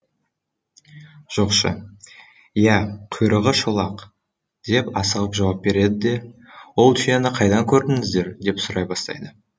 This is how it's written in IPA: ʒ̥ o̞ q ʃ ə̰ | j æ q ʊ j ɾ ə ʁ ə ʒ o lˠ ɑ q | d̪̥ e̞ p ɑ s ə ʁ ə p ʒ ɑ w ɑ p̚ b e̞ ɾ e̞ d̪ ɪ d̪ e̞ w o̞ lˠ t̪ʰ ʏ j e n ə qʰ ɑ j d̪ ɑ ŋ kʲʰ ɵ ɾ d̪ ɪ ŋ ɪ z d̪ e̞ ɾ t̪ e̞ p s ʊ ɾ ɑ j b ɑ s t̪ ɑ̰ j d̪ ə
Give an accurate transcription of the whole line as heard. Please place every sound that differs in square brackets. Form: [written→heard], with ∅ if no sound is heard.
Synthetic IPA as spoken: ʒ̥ o̞ q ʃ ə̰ | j æ [q→qʰ] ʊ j ɾ ə ʁ ə [ʒ→ʃ] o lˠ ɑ q | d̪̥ e̞ p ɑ s ə ʁ ə p ʒ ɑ w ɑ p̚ b e̞ ɾ e̞ d̪ ɪ d̪ e̞ w o̞ lˠ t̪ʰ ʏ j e n ə qʰ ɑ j d̪ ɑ ŋ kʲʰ ɵ ɾ d̪ ɪ ŋ ɪ z d̪ e̞ ɾ [t̪→d̪] e̞ p s ʊ ɾ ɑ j b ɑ s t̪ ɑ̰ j d̪ ə

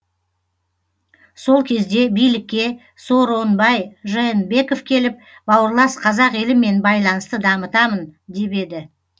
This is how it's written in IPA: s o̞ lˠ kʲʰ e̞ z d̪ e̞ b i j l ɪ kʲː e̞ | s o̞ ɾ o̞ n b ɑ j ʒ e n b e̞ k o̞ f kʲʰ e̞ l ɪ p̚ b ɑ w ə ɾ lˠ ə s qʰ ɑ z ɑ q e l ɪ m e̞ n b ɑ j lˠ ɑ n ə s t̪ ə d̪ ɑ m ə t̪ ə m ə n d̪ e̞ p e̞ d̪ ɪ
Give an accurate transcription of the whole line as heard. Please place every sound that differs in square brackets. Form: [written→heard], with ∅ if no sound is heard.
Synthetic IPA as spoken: s o̞ lˠ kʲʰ e̞ z d̪ e̞ b i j l ɪ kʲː e̞ | s o̞ ɾ o̞ n b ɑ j ʒ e n b e̞ k o̞ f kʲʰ e̞ l ɪ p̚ b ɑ w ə ɾ lˠ [ə→ɑ] s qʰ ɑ z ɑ q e l ɪ m e̞ n b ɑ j lˠ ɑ n ə s t̪ ə d̪ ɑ m ə t̪ [ə→ɑ] m ə n d̪ e̞ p e̞ d̪ ɪ

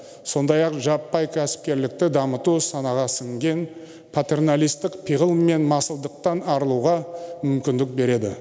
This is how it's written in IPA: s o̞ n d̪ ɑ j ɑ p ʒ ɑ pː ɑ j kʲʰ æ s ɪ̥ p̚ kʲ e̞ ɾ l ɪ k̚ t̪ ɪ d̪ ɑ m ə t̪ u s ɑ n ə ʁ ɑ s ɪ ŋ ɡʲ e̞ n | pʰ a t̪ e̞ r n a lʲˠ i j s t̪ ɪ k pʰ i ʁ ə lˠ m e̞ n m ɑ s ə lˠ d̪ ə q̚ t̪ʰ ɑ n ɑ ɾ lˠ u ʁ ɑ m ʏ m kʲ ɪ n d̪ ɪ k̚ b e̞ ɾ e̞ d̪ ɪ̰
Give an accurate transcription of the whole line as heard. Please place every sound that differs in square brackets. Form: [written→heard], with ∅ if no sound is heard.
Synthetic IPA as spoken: s o̞ n d̪ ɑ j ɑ [p→q] ʒ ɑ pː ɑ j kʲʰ æ s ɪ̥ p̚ kʲ e̞ ɾ l ɪ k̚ t̪ ɪ d̪ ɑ m ə t̪ u s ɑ n [ə→ɑ] ʁ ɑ s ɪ ŋ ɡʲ e̞ n | pʰ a t̪ e̞ r n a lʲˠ i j s t̪ ɪ k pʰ i ʁ ə lˠ m e̞ n m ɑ s ə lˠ d̪ ə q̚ [t̪ʰ→t̪] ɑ n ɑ ɾ lˠ u ʁ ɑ m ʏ m kʲ ɪ n d̪ ɪ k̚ b e̞ ɾ e̞ d̪ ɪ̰

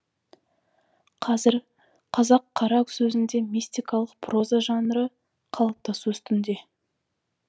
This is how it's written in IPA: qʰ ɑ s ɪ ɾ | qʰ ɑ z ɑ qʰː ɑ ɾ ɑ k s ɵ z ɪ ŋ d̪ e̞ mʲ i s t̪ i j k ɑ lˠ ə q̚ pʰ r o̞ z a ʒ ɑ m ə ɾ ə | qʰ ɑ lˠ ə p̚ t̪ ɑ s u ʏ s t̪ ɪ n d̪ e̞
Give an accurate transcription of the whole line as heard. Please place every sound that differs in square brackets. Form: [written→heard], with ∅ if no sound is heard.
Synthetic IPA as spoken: qʰ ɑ [s→z] ɪ ɾ | qʰ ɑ z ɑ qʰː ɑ ɾ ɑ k s ɵ z ɪ [ŋ→n] d̪ e̞ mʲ i s t̪ i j k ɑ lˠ ə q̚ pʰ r o̞ z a ʒ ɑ [m→n] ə ɾ ə | qʰ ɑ lˠ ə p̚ t̪ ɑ s u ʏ s t̪ ɪ n d̪ e̞

